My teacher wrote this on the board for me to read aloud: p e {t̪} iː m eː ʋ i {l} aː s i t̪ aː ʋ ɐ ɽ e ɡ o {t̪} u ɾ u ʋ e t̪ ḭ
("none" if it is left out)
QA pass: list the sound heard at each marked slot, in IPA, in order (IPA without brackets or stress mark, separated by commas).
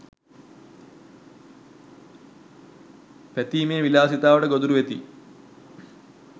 t̪, l, d̪